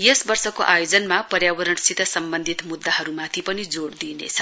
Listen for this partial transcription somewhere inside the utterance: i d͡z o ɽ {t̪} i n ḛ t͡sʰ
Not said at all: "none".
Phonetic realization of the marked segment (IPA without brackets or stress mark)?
d̪